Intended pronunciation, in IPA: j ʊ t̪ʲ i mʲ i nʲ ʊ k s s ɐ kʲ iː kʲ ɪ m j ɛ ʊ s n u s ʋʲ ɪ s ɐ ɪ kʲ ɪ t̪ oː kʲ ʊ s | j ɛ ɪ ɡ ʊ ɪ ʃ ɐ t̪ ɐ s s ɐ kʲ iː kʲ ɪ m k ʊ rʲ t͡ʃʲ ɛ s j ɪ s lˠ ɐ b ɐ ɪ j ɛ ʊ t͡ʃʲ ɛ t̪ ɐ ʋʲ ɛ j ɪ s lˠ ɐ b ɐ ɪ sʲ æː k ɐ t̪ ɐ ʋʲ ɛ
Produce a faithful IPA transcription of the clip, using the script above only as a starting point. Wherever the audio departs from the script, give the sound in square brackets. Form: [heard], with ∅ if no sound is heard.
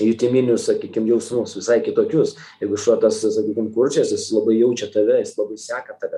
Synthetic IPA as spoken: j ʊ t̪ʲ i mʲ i nʲ ʊ [∅] s s ɐ kʲ iː kʲ ɪ m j ɛ ʊ s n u s ʋʲ ɪ s ɐ ɪ kʲ ɪ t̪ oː kʲ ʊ s | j ɛ ɪ ɡ ʊ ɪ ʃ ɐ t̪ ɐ s s ɐ kʲ iː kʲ ɪ m k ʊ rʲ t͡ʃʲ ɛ s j ɪ s lˠ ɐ b ɐ ɪ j ɛ ʊ t͡ʃʲ ɛ t̪ ɐ ʋʲ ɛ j ɪ s lˠ ɐ b ɐ ɪ sʲ æː k ɐ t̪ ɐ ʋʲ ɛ